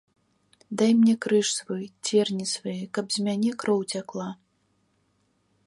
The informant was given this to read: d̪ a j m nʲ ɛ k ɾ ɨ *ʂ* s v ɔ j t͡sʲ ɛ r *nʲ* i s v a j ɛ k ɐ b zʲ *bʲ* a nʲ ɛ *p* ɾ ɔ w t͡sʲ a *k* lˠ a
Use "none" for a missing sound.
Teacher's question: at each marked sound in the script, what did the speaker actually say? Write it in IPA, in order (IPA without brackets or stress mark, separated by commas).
ʂ, nʲ, mʲ, k, k